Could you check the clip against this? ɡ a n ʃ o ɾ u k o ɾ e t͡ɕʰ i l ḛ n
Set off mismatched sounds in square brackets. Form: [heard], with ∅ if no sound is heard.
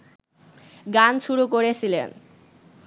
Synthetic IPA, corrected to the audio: ɡ a n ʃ [u] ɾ u k o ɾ e t͡ɕʰ i l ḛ n